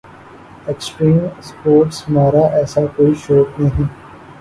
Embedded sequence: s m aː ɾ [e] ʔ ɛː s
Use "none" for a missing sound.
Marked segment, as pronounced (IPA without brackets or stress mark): a